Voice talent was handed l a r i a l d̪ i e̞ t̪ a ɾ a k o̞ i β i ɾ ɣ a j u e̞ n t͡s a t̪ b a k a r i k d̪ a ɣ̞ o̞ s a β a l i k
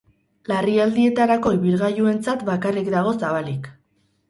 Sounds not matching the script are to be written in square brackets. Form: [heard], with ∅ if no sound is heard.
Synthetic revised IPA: l a r i a l d̪ i e̞ t̪ a ɾ a k o̞ i β i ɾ ɣ a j u e̞ n t͡s a t̪ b a k a r i k d̪ a ɣ̞ o̞ s a β a l i k